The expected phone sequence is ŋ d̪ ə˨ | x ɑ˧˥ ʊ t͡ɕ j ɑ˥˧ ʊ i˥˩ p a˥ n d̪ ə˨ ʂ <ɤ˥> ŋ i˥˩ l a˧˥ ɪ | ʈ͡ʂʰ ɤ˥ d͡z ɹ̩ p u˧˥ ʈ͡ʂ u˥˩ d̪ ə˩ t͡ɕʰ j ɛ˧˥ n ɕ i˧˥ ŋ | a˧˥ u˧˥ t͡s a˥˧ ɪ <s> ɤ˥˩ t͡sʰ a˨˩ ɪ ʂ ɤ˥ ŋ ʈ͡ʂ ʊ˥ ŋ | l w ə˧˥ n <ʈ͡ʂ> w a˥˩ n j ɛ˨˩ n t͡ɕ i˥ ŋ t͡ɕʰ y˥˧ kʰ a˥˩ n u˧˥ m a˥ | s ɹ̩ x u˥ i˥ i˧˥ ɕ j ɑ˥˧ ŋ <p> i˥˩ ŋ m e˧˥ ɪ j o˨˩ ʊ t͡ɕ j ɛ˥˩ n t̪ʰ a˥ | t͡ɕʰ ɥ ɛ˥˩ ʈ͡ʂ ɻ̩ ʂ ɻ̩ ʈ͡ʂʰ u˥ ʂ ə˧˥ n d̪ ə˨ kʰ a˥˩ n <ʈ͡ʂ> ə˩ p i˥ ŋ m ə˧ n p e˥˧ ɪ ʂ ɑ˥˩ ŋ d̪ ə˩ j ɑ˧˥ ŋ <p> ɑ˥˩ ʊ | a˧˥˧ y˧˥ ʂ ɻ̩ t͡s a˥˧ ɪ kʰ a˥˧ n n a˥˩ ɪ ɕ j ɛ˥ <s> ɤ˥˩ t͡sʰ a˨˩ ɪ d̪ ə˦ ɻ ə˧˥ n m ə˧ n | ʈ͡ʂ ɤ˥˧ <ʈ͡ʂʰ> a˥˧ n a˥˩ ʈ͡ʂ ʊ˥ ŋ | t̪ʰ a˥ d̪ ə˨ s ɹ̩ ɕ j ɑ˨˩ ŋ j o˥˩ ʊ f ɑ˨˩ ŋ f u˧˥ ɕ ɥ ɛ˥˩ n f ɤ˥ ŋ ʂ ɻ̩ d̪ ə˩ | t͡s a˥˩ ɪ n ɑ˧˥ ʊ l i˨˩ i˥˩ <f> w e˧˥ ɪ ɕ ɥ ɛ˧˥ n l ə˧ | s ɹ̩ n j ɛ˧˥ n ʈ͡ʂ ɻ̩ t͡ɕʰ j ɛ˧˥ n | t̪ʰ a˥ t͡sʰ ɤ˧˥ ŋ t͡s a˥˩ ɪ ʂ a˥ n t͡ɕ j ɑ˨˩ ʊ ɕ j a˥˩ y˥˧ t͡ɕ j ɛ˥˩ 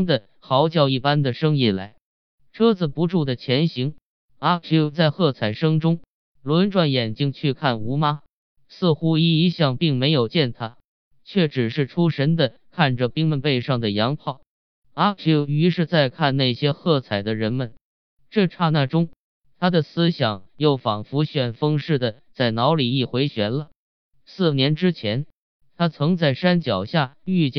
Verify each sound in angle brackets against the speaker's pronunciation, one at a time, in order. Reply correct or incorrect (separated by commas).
correct, incorrect, correct, correct, correct, incorrect, incorrect, correct, incorrect